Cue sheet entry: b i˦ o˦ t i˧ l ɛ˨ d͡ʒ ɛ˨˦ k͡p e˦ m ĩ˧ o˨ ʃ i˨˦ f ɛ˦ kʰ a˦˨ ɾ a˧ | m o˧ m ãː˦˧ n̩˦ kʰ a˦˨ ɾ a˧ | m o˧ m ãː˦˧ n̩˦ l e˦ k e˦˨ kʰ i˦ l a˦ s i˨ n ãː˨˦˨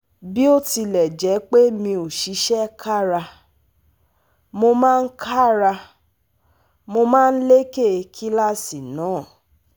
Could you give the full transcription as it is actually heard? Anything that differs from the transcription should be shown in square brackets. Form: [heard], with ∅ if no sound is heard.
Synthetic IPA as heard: b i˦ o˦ t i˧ l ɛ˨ d͡ʒ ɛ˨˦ k͡p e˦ m ĩ˧ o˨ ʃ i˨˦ [ʃ] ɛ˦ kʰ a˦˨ ɾ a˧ | m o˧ m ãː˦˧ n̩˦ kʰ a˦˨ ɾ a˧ | m o˧ m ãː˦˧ n̩˦ l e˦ k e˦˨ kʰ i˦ l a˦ s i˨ n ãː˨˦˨